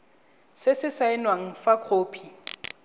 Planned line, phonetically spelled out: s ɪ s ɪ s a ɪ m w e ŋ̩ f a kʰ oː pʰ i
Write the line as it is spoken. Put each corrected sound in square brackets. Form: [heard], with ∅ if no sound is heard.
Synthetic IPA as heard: s ɪ s ɪ s a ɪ [n] w [a] ŋ̩ f a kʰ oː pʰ i